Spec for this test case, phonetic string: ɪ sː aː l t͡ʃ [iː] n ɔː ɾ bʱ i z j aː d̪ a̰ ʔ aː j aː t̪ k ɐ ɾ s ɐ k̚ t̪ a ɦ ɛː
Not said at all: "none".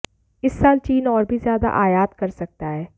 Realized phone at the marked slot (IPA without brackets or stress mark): iː